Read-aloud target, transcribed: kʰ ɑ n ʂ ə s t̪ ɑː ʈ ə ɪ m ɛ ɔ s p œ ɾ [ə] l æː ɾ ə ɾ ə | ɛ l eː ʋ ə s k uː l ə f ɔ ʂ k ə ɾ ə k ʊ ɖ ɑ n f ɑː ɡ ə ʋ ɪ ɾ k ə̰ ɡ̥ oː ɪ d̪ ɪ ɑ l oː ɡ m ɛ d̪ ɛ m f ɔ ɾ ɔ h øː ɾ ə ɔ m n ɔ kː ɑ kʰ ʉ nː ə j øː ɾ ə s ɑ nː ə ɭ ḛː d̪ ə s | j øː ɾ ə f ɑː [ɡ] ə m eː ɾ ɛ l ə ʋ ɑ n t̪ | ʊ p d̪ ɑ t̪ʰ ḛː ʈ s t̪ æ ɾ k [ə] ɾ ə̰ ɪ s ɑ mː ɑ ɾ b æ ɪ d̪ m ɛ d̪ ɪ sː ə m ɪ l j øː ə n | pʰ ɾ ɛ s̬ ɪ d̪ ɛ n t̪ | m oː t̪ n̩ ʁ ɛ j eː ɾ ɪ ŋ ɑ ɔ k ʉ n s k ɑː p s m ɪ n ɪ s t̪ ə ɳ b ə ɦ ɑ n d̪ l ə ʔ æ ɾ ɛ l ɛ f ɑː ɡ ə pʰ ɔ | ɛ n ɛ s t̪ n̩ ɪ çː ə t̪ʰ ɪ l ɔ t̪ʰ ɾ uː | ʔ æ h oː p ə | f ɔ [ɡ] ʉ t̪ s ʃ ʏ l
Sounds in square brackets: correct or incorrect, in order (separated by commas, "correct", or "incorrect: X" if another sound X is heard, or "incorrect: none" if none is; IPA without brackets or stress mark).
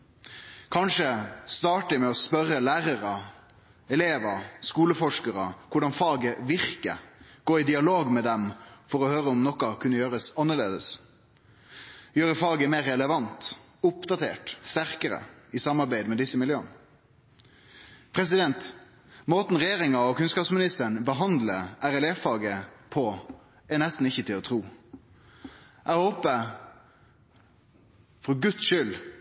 correct, correct, correct, correct